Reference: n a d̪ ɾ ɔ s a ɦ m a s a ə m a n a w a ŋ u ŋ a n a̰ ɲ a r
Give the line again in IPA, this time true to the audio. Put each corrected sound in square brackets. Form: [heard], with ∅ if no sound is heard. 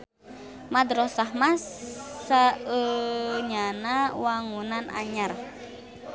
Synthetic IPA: [m] a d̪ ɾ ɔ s a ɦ m a s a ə [ɲ] a n a w a ŋ u [n] a n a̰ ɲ a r